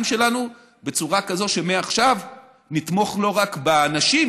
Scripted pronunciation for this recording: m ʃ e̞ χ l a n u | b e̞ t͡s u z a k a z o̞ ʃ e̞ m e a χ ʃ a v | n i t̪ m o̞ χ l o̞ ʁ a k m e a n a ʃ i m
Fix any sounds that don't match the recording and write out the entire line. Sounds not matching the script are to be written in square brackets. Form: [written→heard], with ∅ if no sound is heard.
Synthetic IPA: m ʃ e̞ [χ→∅] l a n u | b e̞ t͡s u [z→ʁ] a k a z o̞ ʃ e̞ m e a χ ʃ a v | n i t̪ m o̞ χ l o̞ ʁ a k [m→b] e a n a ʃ i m